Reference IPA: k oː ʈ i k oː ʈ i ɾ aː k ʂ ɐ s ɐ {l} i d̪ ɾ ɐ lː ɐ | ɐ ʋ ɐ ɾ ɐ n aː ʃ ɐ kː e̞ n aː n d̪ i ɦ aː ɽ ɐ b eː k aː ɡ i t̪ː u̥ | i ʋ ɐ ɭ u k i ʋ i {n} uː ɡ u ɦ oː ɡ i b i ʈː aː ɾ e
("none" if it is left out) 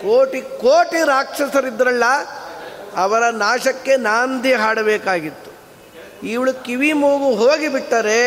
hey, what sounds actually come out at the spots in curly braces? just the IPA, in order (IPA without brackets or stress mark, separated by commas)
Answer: ɾ, m